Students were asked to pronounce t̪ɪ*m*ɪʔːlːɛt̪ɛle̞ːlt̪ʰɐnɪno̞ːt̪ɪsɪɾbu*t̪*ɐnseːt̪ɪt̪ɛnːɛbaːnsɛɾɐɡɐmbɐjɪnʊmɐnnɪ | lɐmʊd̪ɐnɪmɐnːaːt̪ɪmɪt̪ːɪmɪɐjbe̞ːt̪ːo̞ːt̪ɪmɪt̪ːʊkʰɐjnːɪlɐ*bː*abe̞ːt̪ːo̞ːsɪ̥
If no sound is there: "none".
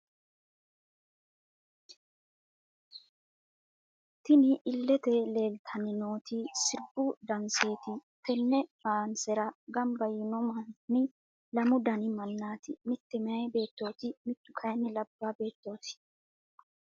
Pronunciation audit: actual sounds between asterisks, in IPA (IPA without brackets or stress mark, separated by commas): n, d̪, bː